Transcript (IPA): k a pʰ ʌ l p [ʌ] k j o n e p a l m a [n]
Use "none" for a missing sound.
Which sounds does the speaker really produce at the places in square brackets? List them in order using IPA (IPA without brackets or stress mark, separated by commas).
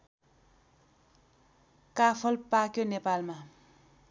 a, none